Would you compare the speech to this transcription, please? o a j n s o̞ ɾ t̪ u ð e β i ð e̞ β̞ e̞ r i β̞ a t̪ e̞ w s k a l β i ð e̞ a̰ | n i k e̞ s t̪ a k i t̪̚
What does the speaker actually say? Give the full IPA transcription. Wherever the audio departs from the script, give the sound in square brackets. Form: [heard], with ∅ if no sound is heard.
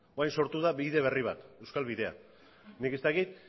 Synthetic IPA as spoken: o a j n s o̞ ɾ t̪ u ð [a] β i ð e̞ β̞ e̞ r i β̞ a t̪ e̞ w s k a l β i ð e̞ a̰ | n i k e̞ s t̪ a k i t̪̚